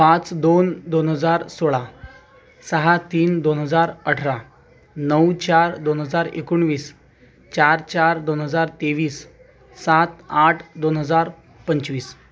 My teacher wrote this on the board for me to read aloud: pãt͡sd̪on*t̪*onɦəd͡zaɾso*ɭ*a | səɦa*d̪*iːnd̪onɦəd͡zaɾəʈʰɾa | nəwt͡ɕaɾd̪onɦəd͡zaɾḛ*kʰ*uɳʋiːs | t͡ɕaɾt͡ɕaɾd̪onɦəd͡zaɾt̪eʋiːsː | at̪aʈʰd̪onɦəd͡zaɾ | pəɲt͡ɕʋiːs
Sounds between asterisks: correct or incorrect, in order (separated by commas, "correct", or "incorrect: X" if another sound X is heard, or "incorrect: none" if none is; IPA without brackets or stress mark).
incorrect: d̪, correct, incorrect: t̪, incorrect: k